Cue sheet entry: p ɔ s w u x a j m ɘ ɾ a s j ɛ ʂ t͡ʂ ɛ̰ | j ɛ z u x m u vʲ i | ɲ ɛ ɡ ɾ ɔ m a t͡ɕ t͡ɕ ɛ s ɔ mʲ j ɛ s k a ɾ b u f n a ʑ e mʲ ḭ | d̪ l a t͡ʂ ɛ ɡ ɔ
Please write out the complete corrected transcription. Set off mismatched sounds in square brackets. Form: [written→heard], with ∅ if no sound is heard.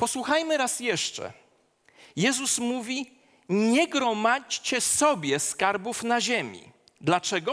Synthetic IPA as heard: p ɔ s w u x a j m ɘ ɾ a s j ɛ ʂ t͡ʂ ɛ̰ | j ɛ z u [x→s] m u vʲ i | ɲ ɛ ɡ ɾ ɔ m a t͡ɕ t͡ɕ ɛ s ɔ [mʲ→bʲ] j ɛ s k a ɾ b u f n a ʑ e mʲ ḭ | d̪ l a t͡ʂ ɛ ɡ ɔ